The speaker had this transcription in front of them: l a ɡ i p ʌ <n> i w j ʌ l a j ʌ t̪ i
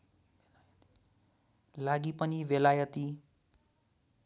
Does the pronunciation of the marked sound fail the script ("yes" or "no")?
no